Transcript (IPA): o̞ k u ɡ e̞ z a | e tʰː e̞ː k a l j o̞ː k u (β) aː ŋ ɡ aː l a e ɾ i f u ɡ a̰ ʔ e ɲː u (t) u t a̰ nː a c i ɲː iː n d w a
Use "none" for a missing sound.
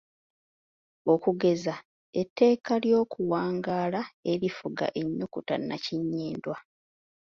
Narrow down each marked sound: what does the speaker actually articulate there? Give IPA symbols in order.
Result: w, k

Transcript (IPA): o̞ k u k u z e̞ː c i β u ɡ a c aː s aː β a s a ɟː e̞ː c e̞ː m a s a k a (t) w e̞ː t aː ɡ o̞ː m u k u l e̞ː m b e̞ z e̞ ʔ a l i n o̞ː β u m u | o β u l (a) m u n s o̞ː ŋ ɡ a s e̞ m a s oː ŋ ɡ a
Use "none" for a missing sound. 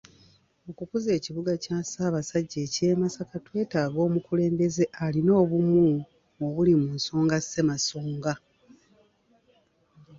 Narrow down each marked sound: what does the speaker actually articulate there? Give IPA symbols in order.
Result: t, i

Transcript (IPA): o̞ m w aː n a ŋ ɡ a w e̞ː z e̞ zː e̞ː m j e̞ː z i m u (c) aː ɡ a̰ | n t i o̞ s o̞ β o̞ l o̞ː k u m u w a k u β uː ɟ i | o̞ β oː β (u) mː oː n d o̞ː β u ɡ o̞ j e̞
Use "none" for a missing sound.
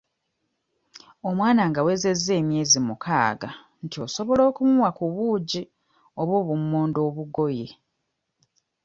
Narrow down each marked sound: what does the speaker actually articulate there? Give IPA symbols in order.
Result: k, u

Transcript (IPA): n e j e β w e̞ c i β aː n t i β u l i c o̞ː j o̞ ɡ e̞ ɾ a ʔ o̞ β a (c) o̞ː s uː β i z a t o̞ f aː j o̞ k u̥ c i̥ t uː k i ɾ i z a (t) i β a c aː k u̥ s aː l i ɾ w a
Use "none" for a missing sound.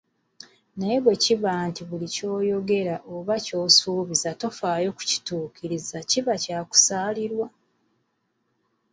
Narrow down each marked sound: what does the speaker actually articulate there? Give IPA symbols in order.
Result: c, c

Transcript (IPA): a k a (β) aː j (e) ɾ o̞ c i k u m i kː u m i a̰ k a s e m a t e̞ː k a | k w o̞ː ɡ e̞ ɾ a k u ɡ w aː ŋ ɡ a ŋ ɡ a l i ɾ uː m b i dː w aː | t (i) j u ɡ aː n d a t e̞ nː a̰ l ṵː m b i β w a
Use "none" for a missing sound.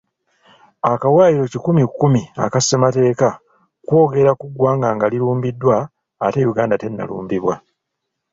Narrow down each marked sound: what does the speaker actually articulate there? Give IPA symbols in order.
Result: w, i, e

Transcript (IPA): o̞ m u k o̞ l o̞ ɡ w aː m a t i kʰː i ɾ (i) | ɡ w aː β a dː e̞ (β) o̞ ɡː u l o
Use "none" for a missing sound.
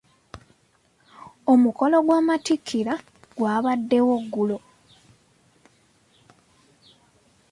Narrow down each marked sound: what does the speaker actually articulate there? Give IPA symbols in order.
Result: a, w

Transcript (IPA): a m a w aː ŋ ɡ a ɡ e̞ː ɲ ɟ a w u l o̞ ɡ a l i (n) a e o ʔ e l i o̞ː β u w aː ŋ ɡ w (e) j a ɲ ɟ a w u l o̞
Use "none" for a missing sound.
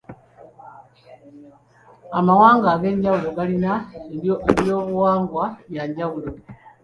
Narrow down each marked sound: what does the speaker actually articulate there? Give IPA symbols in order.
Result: n, a

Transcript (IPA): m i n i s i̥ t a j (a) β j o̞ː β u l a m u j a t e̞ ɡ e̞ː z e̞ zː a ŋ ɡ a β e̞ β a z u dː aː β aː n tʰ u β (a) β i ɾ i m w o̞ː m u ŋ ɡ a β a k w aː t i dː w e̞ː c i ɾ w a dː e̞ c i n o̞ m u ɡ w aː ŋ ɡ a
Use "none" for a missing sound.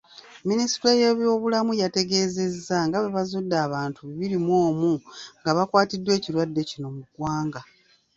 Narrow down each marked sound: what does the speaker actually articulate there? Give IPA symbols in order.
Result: e, i

